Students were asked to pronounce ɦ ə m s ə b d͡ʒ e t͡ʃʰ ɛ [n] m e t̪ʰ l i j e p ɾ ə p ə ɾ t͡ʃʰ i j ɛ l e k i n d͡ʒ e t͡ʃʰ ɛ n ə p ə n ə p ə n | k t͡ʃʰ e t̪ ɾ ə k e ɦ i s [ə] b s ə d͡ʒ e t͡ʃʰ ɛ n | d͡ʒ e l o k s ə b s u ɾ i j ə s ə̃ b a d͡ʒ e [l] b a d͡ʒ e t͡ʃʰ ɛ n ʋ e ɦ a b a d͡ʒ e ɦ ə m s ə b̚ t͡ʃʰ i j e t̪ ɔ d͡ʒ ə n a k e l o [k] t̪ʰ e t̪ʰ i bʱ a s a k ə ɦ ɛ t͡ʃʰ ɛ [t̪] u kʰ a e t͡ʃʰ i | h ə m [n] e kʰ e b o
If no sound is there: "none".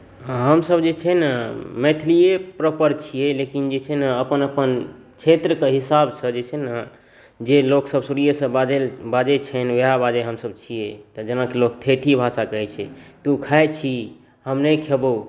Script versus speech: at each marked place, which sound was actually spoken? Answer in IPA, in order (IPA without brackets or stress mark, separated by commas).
n, a, l, k, t̪, n